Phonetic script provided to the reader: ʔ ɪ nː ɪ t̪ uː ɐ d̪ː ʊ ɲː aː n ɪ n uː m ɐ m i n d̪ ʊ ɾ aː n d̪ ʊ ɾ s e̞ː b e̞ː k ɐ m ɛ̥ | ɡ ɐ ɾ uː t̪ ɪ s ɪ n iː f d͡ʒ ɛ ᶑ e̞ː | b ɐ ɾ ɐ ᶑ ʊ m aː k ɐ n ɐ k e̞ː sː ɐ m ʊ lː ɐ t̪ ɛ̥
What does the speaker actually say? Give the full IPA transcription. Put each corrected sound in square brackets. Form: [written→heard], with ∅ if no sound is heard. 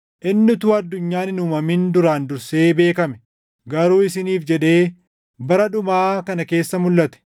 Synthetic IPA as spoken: ʔ ɪ nː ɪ t̪ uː ɐ d̪ː ʊ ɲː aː n ɪ n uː m ɐ m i n d̪ ʊ ɾ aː n d̪ ʊ ɾ s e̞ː b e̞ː k ɐ m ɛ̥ | ɡ ɐ ɾ uː [t̪→∅] ɪ s ɪ n iː f d͡ʒ ɛ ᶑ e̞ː | b ɐ ɾ ɐ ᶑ ʊ m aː k ɐ n ɐ k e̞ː sː ɐ m ʊ lː ɐ t̪ ɛ̥